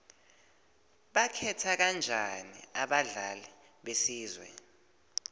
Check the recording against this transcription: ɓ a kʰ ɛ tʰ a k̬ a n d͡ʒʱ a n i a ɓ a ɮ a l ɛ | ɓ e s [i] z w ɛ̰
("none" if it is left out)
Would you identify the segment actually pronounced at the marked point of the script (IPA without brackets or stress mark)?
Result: iː